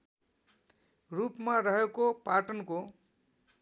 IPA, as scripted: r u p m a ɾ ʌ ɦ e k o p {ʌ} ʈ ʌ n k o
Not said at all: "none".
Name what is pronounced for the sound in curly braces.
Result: a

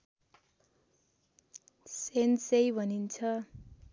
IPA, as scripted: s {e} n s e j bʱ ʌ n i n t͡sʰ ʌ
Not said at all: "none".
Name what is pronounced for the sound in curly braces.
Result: e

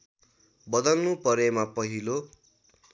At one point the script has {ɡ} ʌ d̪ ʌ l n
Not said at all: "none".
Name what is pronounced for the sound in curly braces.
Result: b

